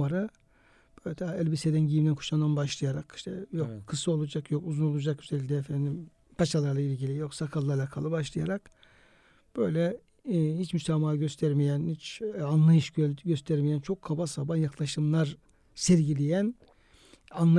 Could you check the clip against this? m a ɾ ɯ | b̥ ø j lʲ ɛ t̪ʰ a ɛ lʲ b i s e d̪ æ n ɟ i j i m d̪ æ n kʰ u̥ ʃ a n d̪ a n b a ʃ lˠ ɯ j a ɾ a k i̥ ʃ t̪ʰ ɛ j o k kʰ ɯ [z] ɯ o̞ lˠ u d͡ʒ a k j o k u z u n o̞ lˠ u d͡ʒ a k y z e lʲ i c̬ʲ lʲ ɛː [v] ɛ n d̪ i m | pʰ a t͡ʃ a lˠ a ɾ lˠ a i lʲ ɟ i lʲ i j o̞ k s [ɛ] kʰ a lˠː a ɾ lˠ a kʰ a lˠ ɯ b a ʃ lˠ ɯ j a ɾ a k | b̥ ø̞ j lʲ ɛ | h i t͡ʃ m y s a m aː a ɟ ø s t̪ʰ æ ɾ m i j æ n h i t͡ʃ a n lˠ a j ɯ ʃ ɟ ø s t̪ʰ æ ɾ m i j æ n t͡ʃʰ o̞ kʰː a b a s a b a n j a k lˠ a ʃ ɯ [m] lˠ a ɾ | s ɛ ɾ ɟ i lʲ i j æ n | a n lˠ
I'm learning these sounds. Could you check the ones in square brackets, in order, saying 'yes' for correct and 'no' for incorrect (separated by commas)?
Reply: no, no, no, yes